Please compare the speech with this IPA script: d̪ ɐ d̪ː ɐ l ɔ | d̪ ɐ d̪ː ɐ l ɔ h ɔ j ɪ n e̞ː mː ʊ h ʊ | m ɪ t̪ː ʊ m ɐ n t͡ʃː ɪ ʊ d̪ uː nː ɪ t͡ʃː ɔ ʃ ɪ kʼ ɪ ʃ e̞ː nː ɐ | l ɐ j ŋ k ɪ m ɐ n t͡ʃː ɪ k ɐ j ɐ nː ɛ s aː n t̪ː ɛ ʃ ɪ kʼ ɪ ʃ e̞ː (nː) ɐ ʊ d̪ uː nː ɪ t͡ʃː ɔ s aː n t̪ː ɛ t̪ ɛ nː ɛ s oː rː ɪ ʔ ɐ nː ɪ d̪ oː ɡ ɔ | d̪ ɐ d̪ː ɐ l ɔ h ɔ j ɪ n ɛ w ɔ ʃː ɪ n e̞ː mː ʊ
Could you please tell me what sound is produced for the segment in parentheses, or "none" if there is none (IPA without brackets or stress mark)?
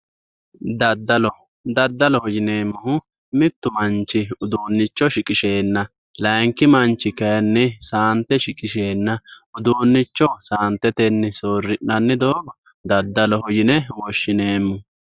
nː